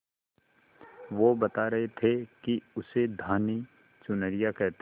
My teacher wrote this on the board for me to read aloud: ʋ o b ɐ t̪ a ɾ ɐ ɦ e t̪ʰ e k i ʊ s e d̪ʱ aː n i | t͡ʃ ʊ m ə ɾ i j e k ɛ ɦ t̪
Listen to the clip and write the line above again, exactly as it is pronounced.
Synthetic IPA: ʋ o b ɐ t̪ a ɾ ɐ ɦ e t̪ʰ e k i ʊ s e d̪ʱ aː n i | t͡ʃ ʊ n ə ɾ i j a k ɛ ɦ t̪

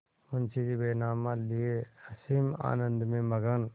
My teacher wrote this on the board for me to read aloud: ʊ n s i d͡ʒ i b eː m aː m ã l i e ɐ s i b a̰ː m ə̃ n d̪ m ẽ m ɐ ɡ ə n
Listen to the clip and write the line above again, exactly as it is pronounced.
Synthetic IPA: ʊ n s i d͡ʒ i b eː n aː m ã l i e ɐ s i m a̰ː n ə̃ n d̪ m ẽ m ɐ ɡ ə n

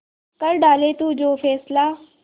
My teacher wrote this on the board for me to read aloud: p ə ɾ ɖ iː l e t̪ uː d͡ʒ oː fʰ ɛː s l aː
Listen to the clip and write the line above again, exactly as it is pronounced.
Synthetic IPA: k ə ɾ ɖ aː l e t̪ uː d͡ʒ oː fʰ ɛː s l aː

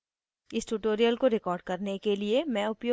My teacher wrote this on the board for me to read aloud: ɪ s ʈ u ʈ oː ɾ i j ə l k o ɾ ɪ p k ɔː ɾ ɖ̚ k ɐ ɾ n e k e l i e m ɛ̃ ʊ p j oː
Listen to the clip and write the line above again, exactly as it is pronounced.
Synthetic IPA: ɪ s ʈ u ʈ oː ɾ i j ə l k o ɾ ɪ k ɔː ɾ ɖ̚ k ɐ ɾ n e k e l i e m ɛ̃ ʊ p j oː

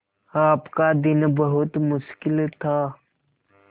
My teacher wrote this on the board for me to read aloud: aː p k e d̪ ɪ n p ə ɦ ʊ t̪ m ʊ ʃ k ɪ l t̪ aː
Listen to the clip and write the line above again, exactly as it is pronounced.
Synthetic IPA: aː p k a d̪ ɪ n b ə ɦ ʊ t̪ m ʊ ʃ k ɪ l t̪ʰ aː

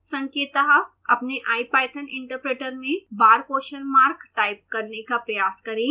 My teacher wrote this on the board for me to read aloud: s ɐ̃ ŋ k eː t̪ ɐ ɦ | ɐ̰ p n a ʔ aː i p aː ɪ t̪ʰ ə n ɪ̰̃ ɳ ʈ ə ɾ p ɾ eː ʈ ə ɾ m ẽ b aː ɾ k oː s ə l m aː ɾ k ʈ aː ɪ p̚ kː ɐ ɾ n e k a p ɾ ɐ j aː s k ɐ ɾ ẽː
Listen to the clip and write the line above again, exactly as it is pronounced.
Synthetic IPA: s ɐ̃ ŋ k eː t̪ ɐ ɦ | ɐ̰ p n e ʔ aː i p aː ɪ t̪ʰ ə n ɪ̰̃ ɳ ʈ ə ɾ p ɾ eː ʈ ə ɾ m ẽ b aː ɾ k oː ʃ ə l m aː ɾ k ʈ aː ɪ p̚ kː ɐ ɾ n e k a p ɾ ɐ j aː s k ɐ ɾ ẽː

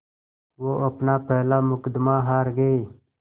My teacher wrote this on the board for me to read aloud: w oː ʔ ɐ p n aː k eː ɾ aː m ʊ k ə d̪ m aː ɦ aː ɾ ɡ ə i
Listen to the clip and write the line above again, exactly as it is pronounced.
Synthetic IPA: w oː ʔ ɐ p n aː p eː l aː m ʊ k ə d̪ m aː ɦ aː ɾ ɡ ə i

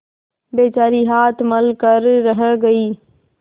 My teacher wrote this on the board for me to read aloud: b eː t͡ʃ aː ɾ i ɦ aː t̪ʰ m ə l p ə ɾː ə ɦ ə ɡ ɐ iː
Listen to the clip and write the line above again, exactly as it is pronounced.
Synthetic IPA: b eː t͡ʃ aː ɾ i ɦ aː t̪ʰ m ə l k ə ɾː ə ɦ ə ɡ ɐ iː

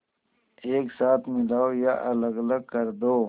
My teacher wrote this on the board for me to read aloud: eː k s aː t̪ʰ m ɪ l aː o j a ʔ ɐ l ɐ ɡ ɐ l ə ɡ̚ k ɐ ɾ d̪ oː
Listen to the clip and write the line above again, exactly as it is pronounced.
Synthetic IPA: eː k s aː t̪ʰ m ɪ l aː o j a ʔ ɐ l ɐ ɡ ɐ l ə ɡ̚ k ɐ ɾ d̪ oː

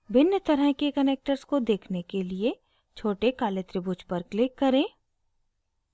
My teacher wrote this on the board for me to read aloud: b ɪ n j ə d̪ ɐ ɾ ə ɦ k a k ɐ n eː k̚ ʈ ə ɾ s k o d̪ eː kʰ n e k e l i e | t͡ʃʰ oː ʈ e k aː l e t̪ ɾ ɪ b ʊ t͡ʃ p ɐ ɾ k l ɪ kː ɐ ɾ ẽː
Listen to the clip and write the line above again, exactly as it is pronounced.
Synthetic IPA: b ɪ n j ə t̪ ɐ ɾ ə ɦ k e k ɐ n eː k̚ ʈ ə ɾ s k o d̪ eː kʰ n e k e l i e | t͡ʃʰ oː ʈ e k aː l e t̪ ɾ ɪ b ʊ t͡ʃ p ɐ ɾ k l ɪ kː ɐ ɾ ẽː

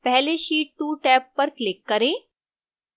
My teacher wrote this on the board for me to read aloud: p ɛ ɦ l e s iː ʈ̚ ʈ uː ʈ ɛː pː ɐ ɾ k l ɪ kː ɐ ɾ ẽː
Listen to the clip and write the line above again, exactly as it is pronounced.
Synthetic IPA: p ɛ ɦ l e ʃ iː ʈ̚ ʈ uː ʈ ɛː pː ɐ ɾ k l ɪ kː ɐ ɾ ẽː

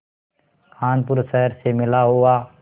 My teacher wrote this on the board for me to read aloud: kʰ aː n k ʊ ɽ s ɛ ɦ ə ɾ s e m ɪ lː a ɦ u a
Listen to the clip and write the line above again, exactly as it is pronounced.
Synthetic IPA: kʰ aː n p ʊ ɾ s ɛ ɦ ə ɾ s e m ɪ l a ɦ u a

